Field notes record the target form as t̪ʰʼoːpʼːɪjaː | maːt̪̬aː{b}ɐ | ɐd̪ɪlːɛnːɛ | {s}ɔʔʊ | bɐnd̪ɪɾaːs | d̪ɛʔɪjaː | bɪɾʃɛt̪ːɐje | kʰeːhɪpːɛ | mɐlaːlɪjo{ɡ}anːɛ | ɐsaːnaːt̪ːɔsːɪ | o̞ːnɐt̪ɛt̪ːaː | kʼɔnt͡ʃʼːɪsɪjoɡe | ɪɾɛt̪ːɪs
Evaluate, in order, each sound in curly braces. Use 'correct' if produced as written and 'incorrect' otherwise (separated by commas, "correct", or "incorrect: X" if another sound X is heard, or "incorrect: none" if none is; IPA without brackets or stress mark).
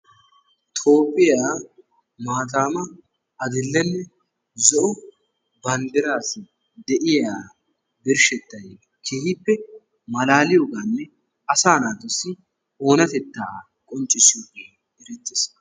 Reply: incorrect: m, incorrect: z, correct